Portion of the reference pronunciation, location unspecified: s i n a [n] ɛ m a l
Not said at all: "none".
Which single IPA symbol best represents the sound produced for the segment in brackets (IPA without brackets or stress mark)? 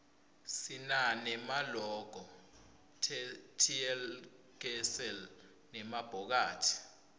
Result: n